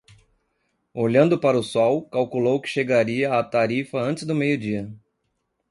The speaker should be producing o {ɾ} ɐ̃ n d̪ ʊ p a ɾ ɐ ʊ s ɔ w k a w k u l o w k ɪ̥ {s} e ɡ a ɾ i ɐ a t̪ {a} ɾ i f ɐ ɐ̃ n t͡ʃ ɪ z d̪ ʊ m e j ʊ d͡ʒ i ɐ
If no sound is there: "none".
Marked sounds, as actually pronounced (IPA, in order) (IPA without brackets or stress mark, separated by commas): ʎ, ʃ, a